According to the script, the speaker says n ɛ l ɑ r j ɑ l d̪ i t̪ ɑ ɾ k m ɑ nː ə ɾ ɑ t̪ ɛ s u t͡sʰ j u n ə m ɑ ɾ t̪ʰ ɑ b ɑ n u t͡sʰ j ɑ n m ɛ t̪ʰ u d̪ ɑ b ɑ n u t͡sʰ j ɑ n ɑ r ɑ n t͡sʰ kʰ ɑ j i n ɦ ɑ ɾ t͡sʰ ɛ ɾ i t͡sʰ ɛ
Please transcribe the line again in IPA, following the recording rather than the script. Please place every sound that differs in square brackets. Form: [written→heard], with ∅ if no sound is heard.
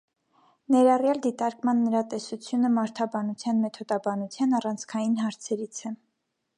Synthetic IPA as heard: n ɛ [l→ɾ] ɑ r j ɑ l d̪ i t̪ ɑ ɾ k m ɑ nː ə ɾ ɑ t̪ ɛ s u t͡sʰ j u n ə m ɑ ɾ t̪ʰ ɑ b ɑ n u t͡sʰ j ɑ n m ɛ t̪ʰ [u→ɔ] d̪ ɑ b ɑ n u t͡sʰ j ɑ n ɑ r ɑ n t͡sʰ kʰ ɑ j i n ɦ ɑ ɾ t͡sʰ ɛ ɾ i t͡sʰ ɛ